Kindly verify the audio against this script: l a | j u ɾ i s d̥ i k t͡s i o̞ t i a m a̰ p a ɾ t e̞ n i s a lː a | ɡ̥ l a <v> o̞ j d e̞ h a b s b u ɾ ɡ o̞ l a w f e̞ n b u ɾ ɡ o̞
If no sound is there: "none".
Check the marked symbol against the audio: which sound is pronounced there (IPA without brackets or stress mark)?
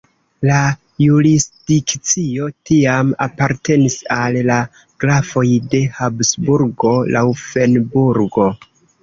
f